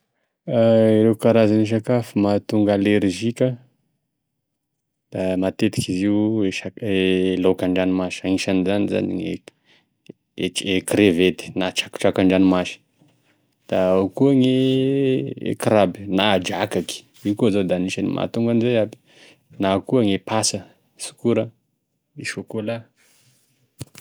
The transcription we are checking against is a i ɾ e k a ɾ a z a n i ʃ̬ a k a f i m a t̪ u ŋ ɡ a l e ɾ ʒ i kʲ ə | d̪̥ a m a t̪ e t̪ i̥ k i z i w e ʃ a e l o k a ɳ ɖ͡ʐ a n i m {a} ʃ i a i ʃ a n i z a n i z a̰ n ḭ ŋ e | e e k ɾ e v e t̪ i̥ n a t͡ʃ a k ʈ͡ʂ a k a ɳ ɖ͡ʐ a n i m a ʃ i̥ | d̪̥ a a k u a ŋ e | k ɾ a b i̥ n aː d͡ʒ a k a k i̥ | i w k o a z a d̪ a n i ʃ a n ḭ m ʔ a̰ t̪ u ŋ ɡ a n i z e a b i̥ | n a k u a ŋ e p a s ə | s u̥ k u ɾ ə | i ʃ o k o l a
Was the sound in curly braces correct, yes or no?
yes